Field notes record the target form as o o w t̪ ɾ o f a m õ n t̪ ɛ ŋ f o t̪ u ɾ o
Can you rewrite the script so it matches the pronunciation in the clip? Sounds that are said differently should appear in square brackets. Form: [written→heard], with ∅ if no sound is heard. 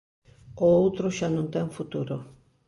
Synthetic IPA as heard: o o w t̪ ɾ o [f→ʃ] a [m→n] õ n t̪ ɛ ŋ f [o→u] t̪ u ɾ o